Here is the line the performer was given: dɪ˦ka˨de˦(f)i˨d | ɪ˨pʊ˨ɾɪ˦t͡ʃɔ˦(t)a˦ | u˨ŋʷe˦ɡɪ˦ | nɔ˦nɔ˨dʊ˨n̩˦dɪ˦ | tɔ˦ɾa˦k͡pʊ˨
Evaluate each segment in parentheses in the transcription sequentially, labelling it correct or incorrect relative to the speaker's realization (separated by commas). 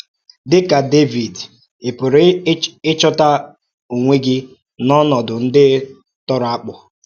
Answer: incorrect, correct